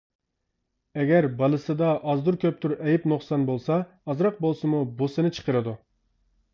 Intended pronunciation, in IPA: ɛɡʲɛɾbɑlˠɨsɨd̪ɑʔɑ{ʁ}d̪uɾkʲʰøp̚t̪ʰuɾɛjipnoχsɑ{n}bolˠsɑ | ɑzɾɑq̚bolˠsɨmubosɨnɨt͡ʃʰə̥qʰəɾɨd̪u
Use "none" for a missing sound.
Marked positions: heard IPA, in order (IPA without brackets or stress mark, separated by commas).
z, n